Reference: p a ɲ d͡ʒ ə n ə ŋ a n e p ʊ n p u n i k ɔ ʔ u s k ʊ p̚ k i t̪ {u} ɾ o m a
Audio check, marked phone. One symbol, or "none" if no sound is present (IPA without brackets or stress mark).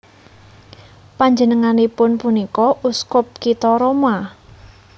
ɔ